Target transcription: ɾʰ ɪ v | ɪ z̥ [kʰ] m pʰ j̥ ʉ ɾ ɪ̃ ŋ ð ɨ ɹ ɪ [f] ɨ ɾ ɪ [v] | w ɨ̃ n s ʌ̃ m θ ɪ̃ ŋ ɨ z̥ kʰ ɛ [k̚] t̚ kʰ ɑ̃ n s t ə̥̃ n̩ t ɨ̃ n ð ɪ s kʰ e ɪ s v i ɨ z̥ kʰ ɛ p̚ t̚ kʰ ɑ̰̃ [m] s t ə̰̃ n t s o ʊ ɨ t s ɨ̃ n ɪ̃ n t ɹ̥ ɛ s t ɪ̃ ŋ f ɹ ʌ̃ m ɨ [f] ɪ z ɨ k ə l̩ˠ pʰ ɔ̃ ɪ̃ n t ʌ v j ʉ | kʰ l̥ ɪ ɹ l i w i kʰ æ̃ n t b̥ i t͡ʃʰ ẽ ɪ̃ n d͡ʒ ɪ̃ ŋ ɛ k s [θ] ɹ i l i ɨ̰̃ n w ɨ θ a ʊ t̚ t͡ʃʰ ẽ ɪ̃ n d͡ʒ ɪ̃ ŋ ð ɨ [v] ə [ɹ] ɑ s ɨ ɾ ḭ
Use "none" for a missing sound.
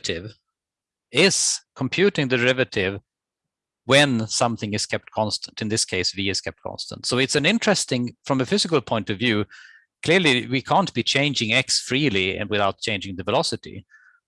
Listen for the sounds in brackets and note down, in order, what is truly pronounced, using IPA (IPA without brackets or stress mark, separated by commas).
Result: kʰ, v, v, p̚, n, f, f, v, l